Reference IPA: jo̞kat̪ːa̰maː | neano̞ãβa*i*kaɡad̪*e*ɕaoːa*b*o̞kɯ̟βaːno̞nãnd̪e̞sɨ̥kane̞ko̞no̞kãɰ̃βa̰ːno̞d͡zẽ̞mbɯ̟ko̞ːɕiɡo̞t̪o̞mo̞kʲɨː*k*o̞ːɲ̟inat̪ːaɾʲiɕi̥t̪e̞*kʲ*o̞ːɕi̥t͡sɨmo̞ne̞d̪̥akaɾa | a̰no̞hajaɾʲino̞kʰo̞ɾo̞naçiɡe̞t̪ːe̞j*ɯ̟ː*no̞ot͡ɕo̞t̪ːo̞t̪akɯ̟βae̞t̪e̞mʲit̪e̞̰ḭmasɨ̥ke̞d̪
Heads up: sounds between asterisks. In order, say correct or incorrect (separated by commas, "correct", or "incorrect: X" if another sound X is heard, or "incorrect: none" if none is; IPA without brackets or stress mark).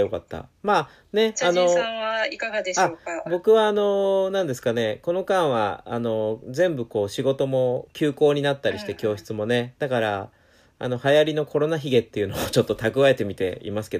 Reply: correct, correct, correct, correct, correct, incorrect: ɯ̟